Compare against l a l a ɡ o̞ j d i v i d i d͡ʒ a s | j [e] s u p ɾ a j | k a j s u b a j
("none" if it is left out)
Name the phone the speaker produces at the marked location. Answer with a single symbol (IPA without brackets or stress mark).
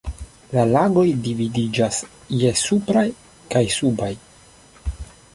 e